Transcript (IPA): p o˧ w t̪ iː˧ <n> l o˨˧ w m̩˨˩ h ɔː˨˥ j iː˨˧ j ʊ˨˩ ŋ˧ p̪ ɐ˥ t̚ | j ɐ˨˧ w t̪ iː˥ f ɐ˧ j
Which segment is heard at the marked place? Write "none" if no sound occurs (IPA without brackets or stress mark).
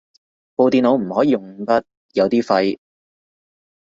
n